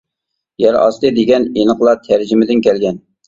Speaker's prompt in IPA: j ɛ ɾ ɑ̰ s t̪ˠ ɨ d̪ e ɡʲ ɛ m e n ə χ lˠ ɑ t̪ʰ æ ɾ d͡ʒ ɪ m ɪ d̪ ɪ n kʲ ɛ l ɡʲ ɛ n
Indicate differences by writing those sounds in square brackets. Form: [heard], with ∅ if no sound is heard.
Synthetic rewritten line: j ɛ ɾ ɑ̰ s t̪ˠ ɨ d̪ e ɡʲ ɛ [n] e n ə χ lˠ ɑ t̪ʰ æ ɾ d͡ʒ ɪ m ɪ d̪ ɪ n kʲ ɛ l ɡʲ ɛ n

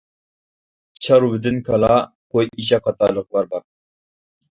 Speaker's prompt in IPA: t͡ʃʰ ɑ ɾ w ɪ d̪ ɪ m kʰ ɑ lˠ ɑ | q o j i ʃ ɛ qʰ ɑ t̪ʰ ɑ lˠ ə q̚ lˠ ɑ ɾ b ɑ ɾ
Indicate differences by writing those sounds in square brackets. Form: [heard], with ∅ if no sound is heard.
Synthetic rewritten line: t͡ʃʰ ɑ ɾ w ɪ d̪ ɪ [n] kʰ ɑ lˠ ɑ | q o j i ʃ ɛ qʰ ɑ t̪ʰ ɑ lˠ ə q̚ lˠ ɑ ɾ b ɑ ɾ

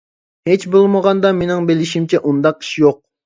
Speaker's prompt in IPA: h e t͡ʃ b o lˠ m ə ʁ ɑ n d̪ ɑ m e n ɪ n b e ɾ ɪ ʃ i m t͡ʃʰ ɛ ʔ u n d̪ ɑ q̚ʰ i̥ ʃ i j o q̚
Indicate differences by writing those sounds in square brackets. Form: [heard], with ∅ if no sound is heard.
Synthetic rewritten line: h e t͡ʃ b o lˠ m ə ʁ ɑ n d̪ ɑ m e n ɪ [ŋ] b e [l] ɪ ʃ i m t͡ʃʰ ɛ ʔ u n d̪ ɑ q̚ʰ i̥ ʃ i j o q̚

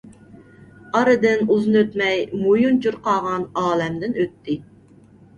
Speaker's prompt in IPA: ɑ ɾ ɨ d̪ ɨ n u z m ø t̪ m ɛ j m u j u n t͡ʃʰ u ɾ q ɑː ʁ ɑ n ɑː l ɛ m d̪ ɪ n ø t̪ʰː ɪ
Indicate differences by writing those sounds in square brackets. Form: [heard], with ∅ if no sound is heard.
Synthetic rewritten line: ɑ ɾ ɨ d̪ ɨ n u z [n] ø t̪ m ɛ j m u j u n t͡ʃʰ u ɾ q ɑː ʁ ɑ n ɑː l ɛ m d̪ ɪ n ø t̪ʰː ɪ

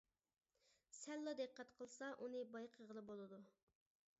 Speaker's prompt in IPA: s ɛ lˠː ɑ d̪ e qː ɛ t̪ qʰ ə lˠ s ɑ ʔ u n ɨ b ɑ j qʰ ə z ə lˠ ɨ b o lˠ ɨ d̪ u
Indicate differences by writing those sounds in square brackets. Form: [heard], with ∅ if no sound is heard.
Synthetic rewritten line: s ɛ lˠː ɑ d̪ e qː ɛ t̪ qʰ ə lˠ s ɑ ʔ u n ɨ b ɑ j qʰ ə [ʁ] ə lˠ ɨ b o lˠ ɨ d̪ u

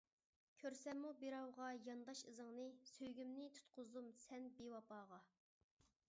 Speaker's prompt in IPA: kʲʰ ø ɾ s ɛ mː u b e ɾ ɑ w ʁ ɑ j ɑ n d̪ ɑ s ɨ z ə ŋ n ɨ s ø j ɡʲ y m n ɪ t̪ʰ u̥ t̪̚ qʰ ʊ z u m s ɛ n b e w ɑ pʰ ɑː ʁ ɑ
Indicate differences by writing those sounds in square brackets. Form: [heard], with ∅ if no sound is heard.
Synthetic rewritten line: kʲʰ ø ɾ s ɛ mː u b e ɾ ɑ w ʁ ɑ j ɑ n d̪ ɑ [ʃ] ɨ z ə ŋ n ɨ s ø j ɡʲ y m n ɪ t̪ʰ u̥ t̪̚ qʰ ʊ z u m s ɛ n b e w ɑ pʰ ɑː ʁ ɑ

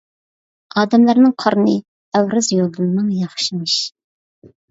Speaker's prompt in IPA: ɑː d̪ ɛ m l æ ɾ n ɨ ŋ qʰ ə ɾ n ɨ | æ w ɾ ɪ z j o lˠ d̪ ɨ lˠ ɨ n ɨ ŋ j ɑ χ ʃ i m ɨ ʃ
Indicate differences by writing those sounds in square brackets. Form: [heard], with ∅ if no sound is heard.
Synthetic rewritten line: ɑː d̪ ɛ m l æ ɾ n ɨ ŋ qʰ [ɑ] ɾ n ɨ | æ w ɾ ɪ z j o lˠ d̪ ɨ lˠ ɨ n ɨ ŋ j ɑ χ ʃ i m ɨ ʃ

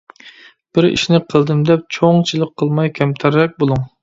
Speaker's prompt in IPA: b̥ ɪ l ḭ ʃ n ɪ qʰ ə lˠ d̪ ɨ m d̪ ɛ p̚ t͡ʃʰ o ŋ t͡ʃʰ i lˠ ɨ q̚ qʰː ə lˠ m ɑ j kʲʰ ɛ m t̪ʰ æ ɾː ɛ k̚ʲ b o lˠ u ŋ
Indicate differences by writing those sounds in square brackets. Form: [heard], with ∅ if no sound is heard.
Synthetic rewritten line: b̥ ɪ [ɾ] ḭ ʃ n ɪ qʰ ə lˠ d̪ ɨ m d̪ ɛ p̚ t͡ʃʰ o ŋ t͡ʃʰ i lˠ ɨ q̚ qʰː ə lˠ m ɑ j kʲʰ ɛ m t̪ʰ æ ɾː ɛ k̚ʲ b o lˠ u ŋ

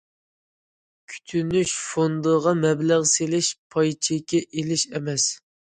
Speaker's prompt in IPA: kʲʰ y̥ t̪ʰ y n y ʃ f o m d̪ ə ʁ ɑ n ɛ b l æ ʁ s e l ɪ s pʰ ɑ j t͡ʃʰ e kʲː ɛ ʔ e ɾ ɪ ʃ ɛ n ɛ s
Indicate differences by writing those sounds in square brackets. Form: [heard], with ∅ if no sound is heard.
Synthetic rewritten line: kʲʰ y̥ t̪ʰ y n y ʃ f o [n] d̪ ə ʁ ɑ [m] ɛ b l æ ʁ s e l ɪ [ʃ] pʰ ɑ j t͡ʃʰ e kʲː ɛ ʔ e [l] ɪ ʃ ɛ [m] ɛ s

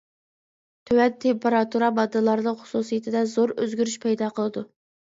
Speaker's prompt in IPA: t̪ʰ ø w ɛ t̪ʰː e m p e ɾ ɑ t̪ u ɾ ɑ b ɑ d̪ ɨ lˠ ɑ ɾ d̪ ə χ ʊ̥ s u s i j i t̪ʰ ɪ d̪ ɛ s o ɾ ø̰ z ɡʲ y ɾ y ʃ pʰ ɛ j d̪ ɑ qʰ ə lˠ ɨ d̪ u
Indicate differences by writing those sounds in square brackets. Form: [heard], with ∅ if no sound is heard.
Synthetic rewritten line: t̪ʰ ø w ɛ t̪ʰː e m p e ɾ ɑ t̪ u ɾ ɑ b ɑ d̪ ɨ lˠ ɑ ɾ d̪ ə χ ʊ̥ s u s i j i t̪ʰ ɪ d̪ ɛ [z] o ɾ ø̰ z ɡʲ y ɾ y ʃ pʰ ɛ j d̪ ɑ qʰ ə lˠ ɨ d̪ u

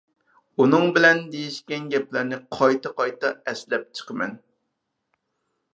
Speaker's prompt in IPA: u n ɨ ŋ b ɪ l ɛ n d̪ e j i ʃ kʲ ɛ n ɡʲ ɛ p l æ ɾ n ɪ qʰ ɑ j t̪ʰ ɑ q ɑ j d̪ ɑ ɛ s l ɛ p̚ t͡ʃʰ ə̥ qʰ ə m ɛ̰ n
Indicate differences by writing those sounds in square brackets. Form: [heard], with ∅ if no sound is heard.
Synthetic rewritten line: u n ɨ ŋ b ɪ l ɛ n d̪ e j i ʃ kʲ ɛ n ɡʲ ɛ p l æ ɾ n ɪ qʰ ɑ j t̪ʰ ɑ q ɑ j [t̪] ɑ ɛ s l ɛ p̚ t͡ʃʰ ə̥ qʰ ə m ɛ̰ n

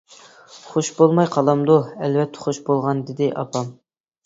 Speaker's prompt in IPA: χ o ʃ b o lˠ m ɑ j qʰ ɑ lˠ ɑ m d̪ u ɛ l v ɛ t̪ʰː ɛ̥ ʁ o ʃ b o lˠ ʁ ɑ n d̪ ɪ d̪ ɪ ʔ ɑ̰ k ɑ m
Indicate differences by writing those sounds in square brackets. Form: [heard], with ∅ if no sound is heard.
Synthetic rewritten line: χ o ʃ b o lˠ m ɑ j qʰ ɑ lˠ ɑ m d̪ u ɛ l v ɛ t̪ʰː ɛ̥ [χ] o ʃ b o lˠ ʁ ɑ n d̪ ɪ d̪ ɪ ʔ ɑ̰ [p] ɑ m

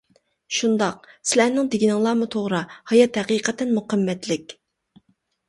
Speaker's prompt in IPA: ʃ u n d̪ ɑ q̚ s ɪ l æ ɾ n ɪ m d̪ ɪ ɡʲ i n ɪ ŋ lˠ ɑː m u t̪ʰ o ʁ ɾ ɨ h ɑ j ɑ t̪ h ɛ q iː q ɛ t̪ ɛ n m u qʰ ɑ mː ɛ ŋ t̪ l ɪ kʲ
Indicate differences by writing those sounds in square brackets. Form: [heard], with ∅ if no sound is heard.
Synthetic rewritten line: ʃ u n d̪ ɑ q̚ s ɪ l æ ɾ n ɪ [ŋ] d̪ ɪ ɡʲ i n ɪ ŋ lˠ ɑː m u t̪ʰ o ʁ ɾ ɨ h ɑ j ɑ t̪ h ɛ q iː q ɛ t̪ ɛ n m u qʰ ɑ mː ɛ [∅] t̪ l ɪ kʲ

